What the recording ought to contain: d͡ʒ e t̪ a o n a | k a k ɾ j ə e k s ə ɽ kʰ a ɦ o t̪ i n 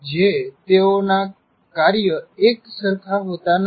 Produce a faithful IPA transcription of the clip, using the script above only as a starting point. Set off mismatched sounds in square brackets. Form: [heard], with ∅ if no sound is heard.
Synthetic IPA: d͡ʒ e t̪ [e] o n a | k a [∅] ɾ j ə e k s ə [ɾ] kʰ a ɦ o t̪ [a] n